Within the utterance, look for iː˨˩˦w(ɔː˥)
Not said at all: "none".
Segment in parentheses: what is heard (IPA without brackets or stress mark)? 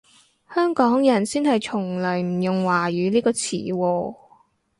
ɔː˧